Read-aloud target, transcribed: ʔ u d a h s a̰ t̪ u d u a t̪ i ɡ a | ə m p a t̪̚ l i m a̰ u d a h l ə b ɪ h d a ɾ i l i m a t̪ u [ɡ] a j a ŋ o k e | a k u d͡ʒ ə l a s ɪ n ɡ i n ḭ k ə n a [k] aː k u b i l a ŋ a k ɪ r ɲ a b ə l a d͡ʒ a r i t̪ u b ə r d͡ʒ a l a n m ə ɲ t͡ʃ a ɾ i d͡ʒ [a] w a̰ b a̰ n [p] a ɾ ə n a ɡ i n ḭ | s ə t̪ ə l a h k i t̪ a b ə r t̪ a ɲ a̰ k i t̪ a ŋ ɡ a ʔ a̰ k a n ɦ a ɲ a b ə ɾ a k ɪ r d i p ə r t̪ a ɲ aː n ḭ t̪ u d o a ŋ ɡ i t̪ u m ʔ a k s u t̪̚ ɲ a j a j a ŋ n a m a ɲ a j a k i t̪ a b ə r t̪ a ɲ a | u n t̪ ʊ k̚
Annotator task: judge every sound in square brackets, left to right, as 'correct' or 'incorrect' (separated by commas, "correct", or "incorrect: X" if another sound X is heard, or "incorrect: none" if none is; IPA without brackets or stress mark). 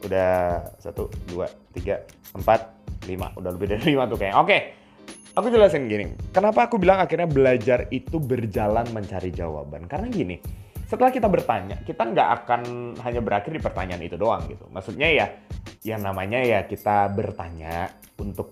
incorrect: k, incorrect: p, correct, incorrect: k